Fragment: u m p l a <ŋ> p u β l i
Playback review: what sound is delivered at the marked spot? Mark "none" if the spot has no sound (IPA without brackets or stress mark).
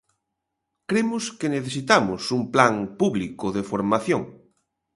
ŋ